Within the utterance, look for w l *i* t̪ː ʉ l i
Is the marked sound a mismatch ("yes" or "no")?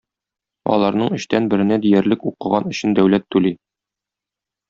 yes